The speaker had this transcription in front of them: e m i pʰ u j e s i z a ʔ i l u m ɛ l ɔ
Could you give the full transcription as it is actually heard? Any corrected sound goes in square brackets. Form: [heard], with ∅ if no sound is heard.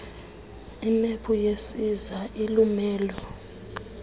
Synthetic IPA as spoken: [i] m [e] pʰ u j e s i z a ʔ i l u m [ɛː] l ɔ